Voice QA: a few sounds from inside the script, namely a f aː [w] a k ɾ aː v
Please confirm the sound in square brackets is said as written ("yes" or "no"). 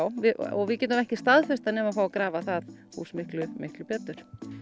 yes